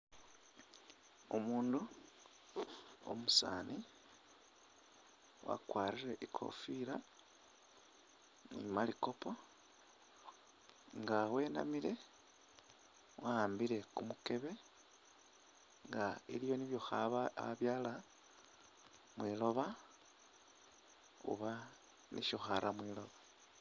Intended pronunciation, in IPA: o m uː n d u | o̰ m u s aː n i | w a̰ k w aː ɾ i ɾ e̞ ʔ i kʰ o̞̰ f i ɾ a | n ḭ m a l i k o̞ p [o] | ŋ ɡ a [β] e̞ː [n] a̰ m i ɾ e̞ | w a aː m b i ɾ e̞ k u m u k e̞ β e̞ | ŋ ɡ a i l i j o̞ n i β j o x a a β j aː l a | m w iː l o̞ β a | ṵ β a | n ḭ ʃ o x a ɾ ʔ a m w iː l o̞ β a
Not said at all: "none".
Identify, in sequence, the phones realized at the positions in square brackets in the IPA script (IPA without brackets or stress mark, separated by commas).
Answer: o, w, n